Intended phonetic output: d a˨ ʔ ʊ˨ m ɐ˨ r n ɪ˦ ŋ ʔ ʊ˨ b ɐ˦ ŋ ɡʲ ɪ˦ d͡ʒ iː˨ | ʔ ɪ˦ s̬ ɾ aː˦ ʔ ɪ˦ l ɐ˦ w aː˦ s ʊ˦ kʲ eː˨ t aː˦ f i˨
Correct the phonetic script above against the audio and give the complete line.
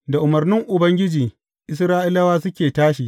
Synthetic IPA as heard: d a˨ ʔ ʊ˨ m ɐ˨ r n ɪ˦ ŋ ʔ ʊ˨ b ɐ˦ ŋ ɡʲ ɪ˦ d͡ʒ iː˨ | ʔ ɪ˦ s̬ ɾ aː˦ ʔ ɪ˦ l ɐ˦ w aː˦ s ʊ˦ kʲ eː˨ t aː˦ ʃ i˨